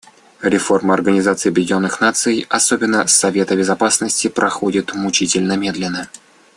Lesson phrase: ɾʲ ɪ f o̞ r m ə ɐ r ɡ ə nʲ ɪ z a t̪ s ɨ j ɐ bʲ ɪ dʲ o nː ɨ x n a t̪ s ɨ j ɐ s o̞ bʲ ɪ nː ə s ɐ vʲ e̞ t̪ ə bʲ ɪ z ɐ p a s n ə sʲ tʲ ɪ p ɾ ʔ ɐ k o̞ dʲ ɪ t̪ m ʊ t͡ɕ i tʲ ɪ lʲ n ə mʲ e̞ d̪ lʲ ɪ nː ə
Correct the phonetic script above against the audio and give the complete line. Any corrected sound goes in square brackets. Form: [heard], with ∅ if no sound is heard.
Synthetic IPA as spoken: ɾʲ ɪ f o̞ r m ə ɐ r ɡ ə nʲ ɪ z a t̪ s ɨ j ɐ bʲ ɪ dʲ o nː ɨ x n a t̪ s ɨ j ɐ s o̞ bʲ ɪ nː ə s ɐ vʲ e̞ t̪ ə bʲ ɪ z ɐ p a s n ə sʲ tʲ ɪ p ɾ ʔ ɐ [x] o̞ dʲ ɪ t̪ m ʊ t͡ɕ i tʲ ɪ lʲ n ə mʲ e̞ d̪ lʲ ɪ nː ə